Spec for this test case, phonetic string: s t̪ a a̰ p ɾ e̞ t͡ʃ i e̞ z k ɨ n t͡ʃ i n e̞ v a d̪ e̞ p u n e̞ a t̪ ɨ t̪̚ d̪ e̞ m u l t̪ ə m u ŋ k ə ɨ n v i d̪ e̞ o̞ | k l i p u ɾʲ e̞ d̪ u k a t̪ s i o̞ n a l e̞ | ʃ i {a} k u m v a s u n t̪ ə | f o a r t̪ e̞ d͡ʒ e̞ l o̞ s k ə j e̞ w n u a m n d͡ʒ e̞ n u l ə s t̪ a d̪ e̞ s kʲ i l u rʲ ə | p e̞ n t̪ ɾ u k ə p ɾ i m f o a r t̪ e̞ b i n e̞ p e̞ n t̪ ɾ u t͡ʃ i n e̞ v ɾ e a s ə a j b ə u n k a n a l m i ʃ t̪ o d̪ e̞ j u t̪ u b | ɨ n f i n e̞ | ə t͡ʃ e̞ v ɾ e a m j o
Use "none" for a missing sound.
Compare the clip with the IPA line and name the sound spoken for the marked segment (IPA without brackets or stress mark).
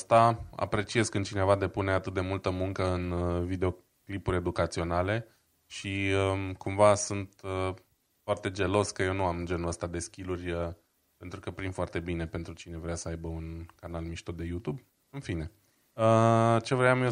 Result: ə